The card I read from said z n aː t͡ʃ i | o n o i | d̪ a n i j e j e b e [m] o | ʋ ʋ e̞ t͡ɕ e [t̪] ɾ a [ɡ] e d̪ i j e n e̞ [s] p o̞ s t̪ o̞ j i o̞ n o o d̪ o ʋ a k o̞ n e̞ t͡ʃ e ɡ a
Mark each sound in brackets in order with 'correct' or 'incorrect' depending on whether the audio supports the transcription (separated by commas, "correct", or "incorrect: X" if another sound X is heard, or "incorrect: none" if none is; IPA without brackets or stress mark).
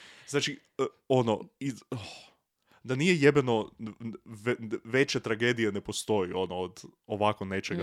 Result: incorrect: n, correct, correct, incorrect: none